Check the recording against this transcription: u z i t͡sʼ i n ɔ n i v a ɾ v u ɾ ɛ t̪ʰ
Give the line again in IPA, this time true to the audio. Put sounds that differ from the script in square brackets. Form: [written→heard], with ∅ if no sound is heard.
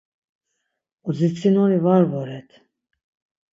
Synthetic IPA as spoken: u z i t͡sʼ i n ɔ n i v a ɾ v [u→ɔ] ɾ ɛ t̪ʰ

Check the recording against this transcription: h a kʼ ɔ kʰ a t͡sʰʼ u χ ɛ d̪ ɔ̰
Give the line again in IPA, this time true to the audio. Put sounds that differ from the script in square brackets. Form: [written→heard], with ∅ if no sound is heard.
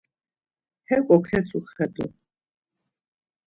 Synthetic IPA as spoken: h [a→ɛ] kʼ ɔ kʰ [a→ɛ] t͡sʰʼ u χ ɛ d̪ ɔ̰

